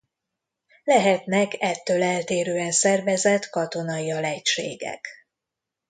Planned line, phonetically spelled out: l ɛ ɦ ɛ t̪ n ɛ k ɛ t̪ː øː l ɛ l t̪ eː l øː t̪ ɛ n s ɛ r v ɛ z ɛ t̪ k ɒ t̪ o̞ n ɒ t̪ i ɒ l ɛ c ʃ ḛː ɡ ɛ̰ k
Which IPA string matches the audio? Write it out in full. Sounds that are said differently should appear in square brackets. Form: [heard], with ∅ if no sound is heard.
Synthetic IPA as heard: l ɛ ɦ ɛ t̪ n ɛ k ɛ t̪ː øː l ɛ l t̪ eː [ɾ] øː [∅] ɛ n s ɛ r v ɛ z ɛ t̪ k ɒ t̪ o̞ n ɒ [∅] i ɒ l ɛ c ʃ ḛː ɡ ɛ̰ k